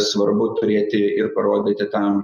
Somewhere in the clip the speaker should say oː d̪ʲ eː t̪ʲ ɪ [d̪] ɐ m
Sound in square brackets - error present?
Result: yes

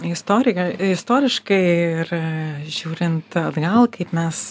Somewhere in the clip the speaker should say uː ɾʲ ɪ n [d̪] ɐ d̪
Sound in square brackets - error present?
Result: yes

